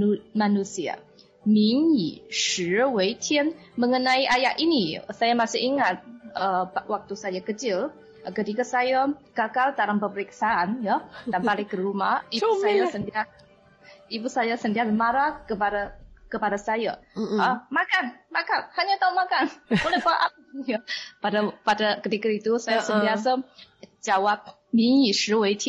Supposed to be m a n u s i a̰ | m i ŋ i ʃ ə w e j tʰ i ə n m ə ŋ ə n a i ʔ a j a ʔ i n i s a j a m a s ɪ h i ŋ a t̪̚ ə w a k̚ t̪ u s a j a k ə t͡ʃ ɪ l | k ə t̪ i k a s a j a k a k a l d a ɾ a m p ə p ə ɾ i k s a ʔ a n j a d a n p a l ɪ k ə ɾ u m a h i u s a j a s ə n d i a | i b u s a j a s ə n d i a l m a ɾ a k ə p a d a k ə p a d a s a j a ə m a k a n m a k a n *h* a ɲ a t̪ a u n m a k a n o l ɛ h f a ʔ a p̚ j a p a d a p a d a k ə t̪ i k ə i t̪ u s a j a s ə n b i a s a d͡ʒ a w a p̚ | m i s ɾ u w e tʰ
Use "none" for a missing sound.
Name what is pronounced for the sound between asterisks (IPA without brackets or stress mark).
h